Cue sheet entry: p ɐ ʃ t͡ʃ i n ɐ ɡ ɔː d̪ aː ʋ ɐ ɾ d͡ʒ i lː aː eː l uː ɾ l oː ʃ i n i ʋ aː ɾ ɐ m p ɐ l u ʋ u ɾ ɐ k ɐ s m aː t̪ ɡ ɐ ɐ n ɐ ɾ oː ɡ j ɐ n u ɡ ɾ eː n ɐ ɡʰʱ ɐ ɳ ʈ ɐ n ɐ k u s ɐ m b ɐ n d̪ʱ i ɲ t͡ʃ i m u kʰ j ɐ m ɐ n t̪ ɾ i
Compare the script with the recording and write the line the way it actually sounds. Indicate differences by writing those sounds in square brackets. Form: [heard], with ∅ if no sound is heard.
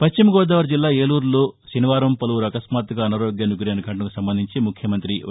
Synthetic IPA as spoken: p ɐ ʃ t͡ʃ i [m] ɐ ɡ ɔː d̪ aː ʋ ɐ ɾ d͡ʒ i lː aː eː l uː ɾ l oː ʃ i n i ʋ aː ɾ ɐ m p ɐ l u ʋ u ɾ ɐ k ɐ s m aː t̪ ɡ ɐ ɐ n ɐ ɾ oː ɡ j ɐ n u ɡ ɾ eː n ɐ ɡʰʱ ɐ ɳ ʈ ɐ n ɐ k u s ɐ m b ɐ n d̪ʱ i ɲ t͡ʃ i m u kʰ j ɐ m ɐ n t̪ ɾ i